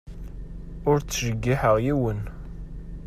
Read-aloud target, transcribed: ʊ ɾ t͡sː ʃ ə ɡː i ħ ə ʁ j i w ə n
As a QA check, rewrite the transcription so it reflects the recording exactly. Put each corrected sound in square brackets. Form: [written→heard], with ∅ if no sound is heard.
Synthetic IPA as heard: ʊ ɾ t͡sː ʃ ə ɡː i ħ ə ʁ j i w ə n